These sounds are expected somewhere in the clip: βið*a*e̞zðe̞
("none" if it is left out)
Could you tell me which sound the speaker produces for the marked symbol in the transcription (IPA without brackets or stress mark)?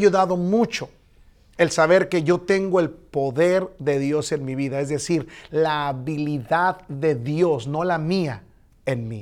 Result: a